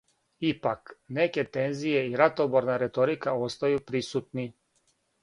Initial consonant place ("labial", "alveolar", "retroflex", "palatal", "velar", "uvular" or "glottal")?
labial